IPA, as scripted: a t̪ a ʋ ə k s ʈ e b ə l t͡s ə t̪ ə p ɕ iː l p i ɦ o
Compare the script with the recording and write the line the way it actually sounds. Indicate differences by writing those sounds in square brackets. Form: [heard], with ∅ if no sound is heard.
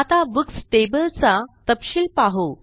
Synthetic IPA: a t̪ a ʋ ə k s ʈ e b ə l t͡s [a] t̪ ə p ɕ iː l p [a] ɦ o